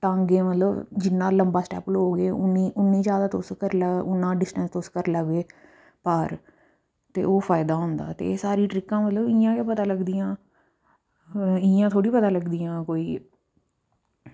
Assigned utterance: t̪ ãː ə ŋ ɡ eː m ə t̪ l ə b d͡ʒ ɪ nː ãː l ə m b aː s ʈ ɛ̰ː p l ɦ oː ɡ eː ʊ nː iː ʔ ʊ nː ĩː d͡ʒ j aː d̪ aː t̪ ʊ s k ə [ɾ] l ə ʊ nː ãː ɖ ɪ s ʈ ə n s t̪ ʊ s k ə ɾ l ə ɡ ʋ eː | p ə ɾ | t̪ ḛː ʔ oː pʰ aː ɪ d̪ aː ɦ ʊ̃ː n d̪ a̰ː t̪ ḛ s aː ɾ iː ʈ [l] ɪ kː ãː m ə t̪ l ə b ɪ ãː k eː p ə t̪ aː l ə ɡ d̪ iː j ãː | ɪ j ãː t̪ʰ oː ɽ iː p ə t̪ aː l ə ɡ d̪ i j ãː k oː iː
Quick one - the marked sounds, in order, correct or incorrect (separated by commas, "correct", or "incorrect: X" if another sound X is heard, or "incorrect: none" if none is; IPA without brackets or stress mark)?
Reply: correct, incorrect: ɾ